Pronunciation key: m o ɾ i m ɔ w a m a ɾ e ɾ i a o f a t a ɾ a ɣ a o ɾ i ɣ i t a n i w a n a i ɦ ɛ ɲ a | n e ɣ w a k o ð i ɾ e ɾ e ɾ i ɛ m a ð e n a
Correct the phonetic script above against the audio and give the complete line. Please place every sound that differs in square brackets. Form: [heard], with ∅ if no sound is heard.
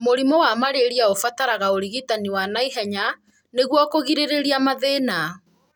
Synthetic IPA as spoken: m o ɾ i m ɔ w a m a ɾ e ɾ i a o f a t a ɾ a ɣ a o ɾ i ɣ i t a n i w a n a i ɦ ɛ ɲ a | n e ɣ w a k o [ɣ] i ɾ e ɾ e ɾ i [a] m a ð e n a